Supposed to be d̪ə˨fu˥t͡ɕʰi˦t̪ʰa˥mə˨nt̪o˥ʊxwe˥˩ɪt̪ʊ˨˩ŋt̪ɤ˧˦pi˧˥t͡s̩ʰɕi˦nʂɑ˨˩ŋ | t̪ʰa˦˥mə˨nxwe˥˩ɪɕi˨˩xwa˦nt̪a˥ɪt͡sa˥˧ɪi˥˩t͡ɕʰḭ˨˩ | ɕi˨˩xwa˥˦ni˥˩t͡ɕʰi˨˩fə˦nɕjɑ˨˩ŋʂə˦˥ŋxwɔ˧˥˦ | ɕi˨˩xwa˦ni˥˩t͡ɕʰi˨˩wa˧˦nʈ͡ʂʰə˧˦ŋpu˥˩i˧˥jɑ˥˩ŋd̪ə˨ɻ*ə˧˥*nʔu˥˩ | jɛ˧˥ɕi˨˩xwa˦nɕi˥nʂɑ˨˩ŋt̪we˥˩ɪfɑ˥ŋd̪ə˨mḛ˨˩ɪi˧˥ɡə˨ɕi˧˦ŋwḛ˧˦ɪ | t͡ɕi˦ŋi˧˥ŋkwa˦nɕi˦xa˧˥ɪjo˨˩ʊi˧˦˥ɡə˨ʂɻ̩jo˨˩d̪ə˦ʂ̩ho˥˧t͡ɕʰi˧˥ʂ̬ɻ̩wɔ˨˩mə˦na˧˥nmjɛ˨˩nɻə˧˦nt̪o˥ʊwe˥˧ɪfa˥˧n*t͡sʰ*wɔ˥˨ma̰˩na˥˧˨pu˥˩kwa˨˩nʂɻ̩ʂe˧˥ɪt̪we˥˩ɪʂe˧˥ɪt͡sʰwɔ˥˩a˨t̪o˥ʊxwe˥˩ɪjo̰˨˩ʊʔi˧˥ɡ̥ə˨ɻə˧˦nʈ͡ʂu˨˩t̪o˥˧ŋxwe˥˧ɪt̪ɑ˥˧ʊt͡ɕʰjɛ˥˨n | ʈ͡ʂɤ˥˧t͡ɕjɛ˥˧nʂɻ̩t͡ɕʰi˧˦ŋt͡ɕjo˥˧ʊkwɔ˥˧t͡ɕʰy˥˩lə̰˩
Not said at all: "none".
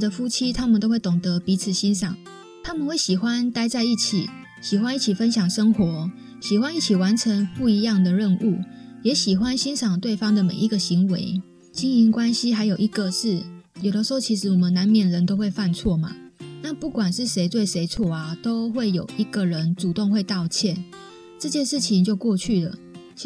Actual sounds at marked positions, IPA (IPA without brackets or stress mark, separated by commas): ə˥˧, t͡sʰ